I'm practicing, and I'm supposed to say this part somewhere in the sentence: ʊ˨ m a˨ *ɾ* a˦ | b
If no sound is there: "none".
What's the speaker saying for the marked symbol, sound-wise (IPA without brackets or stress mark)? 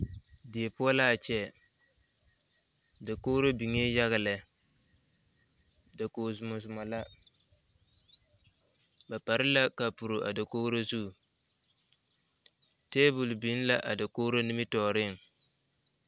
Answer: l